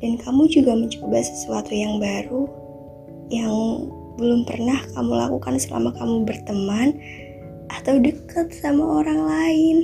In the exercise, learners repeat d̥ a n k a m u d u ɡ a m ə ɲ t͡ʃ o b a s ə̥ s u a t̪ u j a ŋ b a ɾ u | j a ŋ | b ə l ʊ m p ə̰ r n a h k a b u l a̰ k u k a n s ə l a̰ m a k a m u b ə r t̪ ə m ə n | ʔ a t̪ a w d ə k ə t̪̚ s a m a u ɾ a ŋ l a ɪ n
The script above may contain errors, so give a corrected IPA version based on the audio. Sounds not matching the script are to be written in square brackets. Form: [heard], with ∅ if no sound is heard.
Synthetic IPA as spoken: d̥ a n k a m u [d͡ʒ] u ɡ a m ə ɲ t͡ʃ o b a s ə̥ s u a t̪ u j a ŋ b a ɾ u | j a ŋ | b ə l ʊ m p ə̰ r n a h k a [m] u l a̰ k u k a n s ə l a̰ m a k a m u b ə r t̪ ə m [a] n | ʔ a t̪ a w d ə k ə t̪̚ s a m a [o] ɾ a ŋ l a ɪ n